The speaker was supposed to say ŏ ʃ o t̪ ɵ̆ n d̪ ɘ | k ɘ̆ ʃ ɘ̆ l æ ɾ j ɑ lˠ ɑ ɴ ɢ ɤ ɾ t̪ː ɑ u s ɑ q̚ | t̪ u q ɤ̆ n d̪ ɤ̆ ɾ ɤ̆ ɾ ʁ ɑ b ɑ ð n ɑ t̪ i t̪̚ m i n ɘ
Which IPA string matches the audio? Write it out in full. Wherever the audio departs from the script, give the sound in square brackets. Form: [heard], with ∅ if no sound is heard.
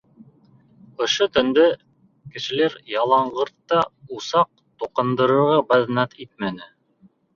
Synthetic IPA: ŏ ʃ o t̪ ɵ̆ n d̪ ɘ | k ɘ̆ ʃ ɘ̆ l æ ɾ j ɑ lˠ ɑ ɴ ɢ ɤ ɾ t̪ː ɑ u s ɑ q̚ | t̪ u q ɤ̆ n d̪ ɤ̆ ɾ ɤ̆ ɾ ʁ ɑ b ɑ ð n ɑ t̪ i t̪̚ m [æ] n ɘ